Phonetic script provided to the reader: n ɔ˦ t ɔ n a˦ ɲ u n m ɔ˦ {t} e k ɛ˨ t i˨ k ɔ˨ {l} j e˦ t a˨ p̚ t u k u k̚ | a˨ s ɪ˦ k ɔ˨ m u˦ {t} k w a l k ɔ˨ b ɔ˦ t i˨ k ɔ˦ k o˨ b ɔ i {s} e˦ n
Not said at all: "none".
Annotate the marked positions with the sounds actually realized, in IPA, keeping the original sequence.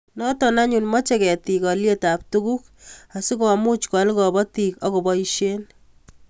t͡ʃ, l, t͡ʃ, ʃ

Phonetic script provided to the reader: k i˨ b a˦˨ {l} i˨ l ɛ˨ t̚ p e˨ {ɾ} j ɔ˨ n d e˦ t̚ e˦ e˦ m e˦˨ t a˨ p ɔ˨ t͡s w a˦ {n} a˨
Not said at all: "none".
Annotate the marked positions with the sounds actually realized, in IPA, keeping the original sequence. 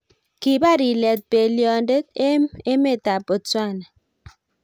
ɾ, l, n

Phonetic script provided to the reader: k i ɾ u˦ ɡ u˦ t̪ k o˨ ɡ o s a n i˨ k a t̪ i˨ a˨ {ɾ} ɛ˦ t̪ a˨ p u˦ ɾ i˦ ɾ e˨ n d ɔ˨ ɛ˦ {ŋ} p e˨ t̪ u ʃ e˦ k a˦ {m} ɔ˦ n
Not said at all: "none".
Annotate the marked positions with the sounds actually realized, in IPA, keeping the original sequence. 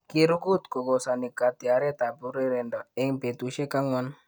ɾ, ŋ, ŋ

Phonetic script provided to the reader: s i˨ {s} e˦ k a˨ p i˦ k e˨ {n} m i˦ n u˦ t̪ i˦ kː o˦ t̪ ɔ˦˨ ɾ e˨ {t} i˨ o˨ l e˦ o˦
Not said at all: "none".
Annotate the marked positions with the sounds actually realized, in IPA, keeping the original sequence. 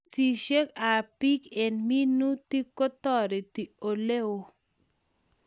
ʃ, n, t

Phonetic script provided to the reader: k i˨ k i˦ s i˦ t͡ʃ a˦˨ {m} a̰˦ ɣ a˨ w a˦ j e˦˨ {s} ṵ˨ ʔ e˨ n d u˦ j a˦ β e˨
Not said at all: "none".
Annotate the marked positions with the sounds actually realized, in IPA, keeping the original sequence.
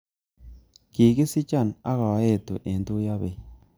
n, t

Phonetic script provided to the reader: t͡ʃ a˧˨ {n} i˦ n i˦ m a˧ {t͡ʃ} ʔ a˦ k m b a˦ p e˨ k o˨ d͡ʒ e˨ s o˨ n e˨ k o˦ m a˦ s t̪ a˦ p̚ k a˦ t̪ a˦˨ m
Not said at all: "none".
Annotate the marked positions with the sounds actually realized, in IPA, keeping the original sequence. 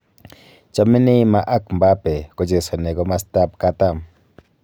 m, none

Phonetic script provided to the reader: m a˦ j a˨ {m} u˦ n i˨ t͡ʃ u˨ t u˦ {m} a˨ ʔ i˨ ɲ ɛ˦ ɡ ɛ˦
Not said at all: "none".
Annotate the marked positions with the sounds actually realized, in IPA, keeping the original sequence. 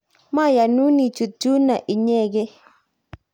n, n

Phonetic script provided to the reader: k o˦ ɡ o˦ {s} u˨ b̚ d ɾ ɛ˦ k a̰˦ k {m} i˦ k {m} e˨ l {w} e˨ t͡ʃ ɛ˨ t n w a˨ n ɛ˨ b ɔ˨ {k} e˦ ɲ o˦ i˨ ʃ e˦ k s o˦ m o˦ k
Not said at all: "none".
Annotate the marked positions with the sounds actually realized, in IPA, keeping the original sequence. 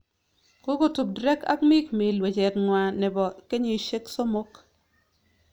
t, m, m, w, k

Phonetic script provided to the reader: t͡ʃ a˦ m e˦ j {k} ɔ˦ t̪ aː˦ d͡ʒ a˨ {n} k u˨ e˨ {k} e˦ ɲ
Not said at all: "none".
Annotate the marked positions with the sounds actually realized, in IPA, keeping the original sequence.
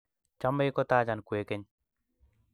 k, n, k

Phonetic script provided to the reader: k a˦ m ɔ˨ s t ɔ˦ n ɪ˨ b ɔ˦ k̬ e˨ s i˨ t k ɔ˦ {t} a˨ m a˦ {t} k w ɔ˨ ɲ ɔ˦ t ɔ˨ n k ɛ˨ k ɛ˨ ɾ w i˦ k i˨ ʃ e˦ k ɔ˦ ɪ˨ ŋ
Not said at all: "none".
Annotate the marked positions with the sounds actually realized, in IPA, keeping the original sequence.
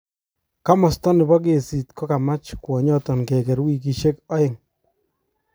k, t͡ʃ

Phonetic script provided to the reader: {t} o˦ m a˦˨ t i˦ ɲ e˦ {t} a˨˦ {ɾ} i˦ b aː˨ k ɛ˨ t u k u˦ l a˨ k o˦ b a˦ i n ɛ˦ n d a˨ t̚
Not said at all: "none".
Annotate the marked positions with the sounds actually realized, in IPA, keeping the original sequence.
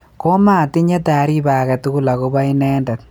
k, t, ɾ

